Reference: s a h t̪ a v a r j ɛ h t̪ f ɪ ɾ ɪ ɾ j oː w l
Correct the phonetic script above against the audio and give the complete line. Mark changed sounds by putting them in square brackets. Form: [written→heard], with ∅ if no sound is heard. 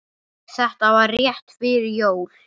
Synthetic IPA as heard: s [a→ɛ] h t̪ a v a r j ɛ h t̪ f ɪ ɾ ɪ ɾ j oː w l